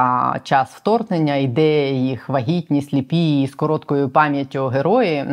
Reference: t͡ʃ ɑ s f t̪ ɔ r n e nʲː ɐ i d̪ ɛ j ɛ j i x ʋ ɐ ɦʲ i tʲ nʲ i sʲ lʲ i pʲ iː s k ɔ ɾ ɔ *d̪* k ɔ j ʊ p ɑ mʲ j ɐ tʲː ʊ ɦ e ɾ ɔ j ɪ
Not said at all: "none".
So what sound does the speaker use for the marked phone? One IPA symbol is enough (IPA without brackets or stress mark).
t̪